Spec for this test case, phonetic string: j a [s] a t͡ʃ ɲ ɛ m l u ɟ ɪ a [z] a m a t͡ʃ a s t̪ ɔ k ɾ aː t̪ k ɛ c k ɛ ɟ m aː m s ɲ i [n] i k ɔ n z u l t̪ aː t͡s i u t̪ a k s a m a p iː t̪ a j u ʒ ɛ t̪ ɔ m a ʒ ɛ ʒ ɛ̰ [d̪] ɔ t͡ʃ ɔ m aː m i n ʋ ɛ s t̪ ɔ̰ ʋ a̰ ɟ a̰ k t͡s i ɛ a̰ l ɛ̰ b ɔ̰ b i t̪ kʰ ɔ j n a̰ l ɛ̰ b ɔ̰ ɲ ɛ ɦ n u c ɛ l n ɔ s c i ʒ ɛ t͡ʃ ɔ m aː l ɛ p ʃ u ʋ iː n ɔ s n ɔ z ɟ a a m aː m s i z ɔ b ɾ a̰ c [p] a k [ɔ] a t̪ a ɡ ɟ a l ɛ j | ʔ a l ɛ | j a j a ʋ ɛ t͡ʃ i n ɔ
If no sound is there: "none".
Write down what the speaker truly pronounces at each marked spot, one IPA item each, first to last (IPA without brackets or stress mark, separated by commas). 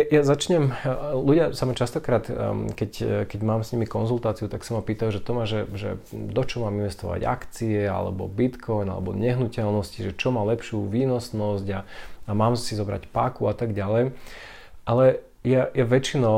z, s, m, d̪, p, u